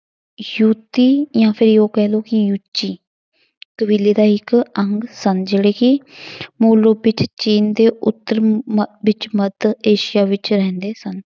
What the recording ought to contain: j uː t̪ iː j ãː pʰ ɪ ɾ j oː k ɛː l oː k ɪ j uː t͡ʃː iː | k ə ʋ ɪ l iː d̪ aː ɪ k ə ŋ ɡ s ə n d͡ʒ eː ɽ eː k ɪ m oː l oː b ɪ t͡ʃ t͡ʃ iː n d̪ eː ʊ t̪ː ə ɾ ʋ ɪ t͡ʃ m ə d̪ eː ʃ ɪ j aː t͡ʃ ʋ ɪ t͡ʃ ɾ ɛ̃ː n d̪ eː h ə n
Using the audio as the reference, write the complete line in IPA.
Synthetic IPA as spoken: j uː t̪ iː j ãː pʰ ɪ ɾ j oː k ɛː l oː k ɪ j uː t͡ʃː iː | k ə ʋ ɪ l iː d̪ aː ɪ k ə ŋ ɡ s ə n d͡ʒ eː ɽ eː k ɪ m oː l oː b ɪ t͡ʃ t͡ʃ iː n d̪ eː ʊ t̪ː ə ɾ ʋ ɪ t͡ʃ m ə d̪ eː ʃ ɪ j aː ʋ ɪ t͡ʃ ɾ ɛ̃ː n d̪ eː s ə n

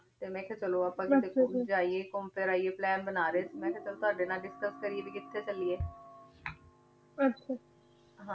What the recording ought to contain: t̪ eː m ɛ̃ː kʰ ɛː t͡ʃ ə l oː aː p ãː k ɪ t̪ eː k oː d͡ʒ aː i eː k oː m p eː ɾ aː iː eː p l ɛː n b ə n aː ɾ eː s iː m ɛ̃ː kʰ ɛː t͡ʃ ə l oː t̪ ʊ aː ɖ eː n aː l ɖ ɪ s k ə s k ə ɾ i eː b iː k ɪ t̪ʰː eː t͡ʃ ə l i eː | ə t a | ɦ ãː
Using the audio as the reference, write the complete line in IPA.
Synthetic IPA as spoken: t̪ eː m ɛ̃ː kʰ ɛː t͡ʃ ə l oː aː p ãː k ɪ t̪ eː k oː d͡ʒ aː i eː k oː m p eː ɾ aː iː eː p l ɛː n b ə n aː ɾ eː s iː m ɛ̃ː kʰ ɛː t͡ʃ ə l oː t̪ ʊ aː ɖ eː n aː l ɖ ɪ s k ə s k ə ɾ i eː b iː k ɪ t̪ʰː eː t͡ʃ ə l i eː | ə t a | ɦ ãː

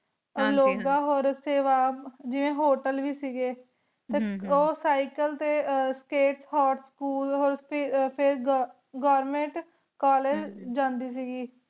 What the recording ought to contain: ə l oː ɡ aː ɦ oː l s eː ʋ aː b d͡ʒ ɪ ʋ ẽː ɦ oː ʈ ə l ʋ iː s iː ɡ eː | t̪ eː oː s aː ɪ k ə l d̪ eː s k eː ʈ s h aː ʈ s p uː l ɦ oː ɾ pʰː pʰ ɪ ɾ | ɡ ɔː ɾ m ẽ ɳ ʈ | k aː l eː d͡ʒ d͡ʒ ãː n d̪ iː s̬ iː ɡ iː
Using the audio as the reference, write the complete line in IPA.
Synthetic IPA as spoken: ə l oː ɡ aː ɦ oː ɾ s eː ʋ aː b d͡ʒ ɪ ʋ ẽː ɦ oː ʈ ə l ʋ iː s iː ɡ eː | t̪ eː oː s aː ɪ k ə l t̪ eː s k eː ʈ s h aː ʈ s k uː l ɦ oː ɾ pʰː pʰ ɪ ɾ | ɡ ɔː ɾ m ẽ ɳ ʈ | k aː l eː d͡ʒ d͡ʒ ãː n d̪ iː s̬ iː ɡ iː

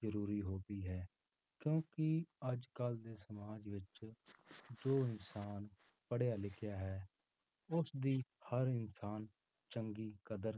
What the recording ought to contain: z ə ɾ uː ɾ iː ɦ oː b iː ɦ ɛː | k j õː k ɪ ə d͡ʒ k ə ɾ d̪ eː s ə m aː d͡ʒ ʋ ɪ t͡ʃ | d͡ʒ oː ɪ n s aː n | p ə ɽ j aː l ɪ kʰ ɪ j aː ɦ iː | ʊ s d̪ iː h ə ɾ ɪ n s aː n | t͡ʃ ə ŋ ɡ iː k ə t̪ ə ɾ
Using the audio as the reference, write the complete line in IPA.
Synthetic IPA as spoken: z ə ɾ uː ɾ iː ɦ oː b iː ɦ ɛː | k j õː k ɪ ə d͡ʒ k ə l d̪ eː s ə m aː d͡ʒ ʋ ɪ t͡ʃ | d͡ʒ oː ɪ n s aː n | p ə ɽ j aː l ɪ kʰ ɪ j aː ɦ ɛː | ʊ s d̪ iː h ə ɾ ɪ n s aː n | t͡ʃ ə ŋ ɡ iː k ə d̪ ə ɾ

